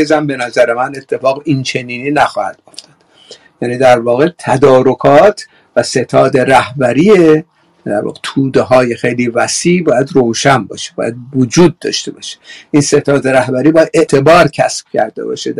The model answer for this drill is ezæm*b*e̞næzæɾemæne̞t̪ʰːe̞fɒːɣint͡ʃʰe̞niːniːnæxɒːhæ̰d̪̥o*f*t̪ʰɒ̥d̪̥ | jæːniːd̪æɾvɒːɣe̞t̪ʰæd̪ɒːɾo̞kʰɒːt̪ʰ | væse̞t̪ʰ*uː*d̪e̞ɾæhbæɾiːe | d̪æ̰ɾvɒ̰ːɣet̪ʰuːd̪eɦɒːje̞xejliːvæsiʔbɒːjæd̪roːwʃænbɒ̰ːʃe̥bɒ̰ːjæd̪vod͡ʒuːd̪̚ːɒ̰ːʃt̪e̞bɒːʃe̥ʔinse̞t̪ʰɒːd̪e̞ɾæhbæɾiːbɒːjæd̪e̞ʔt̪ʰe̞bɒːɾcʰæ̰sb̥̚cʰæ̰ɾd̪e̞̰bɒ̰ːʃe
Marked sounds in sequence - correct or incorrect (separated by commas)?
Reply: correct, correct, incorrect